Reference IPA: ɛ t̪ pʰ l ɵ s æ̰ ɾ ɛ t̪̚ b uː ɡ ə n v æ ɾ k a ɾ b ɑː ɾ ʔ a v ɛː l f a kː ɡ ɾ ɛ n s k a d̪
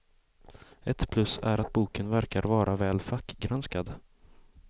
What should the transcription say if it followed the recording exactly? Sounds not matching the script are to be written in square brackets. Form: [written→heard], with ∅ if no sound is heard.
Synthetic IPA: ɛ t̪ pʰ l ɵ s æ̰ ɾ [ɛ→a] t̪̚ b uː [ɡ→k] ə n v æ ɾ k a ɾ [b→v] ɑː ɾ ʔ a v ɛː l f a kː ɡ ɾ [ɛ→a] n s k a d̪

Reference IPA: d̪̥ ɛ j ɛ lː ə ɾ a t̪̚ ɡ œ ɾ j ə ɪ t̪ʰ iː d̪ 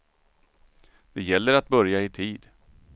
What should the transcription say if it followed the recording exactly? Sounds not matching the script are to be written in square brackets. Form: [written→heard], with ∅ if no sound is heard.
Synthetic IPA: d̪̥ ɛ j ɛ lː ə ɾ a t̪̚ [ɡ→b] œ ɾ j [ə→a] ɪ t̪ʰ iː d̪

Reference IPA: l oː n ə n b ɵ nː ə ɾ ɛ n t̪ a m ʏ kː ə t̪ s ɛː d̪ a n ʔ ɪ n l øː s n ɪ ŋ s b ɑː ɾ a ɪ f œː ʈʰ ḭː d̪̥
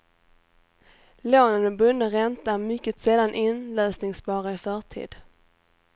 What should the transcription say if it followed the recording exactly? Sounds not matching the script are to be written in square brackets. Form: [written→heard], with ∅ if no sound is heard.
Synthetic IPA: l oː n ə n b ɵ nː ə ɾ ɛ n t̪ a m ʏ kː ə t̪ s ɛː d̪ a n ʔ ɪ n l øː s n ɪ ŋ s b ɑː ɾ a ɪ f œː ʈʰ ḭː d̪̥

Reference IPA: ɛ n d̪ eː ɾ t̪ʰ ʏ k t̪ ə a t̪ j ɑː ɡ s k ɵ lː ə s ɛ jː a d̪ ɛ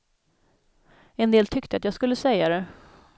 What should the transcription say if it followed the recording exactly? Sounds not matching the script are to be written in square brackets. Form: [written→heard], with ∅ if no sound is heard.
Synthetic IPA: ɛ n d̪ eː [ɾ→l] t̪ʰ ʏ k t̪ ə a t̪ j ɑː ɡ s k ɵ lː ə s ɛ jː a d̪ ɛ

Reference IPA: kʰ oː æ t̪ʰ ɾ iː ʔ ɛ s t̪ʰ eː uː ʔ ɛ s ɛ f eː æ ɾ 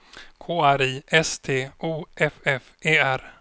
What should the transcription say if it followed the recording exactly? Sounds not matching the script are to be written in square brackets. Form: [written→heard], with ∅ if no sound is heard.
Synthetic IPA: kʰ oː æ [t̪ʰ→∅] ɾ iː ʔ ɛ s t̪ʰ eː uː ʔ ɛ [s→f] ɛ f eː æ ɾ

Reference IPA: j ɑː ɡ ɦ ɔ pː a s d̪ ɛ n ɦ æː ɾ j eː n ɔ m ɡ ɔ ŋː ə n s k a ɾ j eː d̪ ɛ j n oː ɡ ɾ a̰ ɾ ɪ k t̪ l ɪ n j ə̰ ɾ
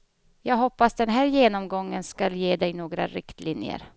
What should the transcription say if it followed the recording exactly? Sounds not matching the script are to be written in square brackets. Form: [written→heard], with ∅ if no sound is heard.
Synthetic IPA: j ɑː ɡ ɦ ɔ pː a s d̪ ɛ n ɦ æː ɾ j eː n ɔ m ɡ ɔ ŋː ə n s k a [ɾ→l] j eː d̪ ɛ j n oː ɡ ɾ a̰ ɾ ɪ k t̪ l ɪ n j ə̰ ɾ

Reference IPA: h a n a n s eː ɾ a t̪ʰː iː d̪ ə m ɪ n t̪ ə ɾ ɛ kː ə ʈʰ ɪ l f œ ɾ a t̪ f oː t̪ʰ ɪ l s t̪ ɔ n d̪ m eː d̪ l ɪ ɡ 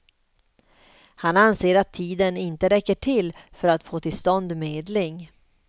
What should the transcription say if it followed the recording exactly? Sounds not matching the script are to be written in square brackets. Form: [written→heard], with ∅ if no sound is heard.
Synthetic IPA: h a n a n s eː ɾ a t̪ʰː iː d̪ ə [m→n] ɪ n t̪ ə ɾ ɛ kː ə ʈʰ ɪ l f œ ɾ a t̪ f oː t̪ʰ ɪ l s t̪ ɔ n d̪ m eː d̪ l ɪ [ɡ→ŋ]

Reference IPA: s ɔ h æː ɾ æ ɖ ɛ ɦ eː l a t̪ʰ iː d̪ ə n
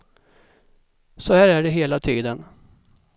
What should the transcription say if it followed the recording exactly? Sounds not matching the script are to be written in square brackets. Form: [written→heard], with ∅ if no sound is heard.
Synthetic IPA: s ɔ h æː ɾ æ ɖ ɛ ɦ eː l a t̪ʰ iː d̪ ə n

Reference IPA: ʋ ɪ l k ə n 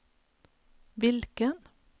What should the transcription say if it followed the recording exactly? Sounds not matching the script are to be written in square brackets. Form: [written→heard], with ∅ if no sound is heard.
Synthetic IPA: ʋ ɪ l k ə n

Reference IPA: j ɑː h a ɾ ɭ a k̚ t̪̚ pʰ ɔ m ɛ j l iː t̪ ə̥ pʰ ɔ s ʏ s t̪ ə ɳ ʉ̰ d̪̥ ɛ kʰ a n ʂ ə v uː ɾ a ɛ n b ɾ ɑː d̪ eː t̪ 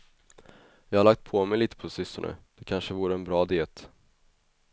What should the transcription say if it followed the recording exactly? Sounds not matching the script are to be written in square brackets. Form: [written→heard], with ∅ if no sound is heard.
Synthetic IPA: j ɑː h a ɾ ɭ a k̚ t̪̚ pʰ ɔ m ɛ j l iː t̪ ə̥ pʰ ɔ s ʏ s t̪ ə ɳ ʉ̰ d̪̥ ɛ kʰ a n ʂ ə v uː ɾ [a→ə] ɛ n b ɾ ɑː d̪ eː t̪

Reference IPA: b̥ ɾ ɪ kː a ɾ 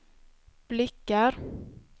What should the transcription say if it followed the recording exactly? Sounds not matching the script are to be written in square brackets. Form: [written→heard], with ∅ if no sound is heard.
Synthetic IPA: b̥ [ɾ→l] ɪ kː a ɾ

